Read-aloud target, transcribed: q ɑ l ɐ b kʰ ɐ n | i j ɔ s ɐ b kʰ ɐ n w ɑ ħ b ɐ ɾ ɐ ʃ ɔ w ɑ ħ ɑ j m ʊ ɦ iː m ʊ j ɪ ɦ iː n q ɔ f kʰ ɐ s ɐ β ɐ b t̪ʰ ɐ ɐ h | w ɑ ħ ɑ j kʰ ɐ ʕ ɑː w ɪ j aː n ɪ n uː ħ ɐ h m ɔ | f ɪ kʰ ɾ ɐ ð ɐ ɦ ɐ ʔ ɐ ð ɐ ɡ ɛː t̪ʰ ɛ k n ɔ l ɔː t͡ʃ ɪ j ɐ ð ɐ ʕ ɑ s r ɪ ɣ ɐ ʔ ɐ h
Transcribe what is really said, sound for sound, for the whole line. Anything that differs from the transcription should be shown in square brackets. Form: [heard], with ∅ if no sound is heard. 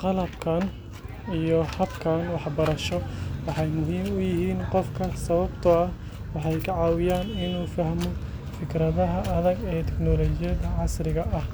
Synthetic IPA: q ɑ l ɐ b kʰ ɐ n | i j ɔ [h] ɐ b kʰ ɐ n w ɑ ħ b ɐ ɾ ɐ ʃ ɔ w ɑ ħ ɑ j m ʊ ɦ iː m ʊ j ɪ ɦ iː n q ɔ f kʰ ɐ s ɐ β ɐ b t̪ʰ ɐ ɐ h | w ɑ ħ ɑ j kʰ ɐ ʕ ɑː w ɪ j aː n ɪ n uː [f] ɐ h m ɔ | f ɪ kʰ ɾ ɐ ð ɐ ɦ ɐ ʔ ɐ ð ɐ ɡ ɛː t̪ʰ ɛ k n ɔ l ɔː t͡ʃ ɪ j ɐ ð ɐ ʕ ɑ s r ɪ ɣ ɐ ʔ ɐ h